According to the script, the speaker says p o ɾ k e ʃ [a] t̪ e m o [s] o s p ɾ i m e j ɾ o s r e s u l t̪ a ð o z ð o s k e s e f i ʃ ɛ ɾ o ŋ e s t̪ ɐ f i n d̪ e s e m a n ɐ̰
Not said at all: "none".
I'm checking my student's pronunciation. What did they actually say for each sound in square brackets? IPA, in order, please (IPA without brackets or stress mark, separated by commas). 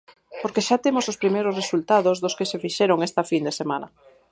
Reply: a, s